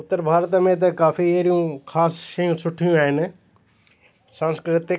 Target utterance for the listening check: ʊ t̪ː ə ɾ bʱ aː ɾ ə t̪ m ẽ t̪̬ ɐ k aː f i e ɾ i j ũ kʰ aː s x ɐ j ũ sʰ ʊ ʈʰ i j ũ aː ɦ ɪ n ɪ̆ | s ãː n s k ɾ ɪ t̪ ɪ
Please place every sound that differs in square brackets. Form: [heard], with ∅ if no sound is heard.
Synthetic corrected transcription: ʊ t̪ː ə ɾ bʱ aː ɾ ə t̪ m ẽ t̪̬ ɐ k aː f i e ɾ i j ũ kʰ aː s [ʃ] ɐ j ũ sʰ ʊ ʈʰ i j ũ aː ɦ ɪ n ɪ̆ | s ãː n s k ɾ ɪ t̪ ɪ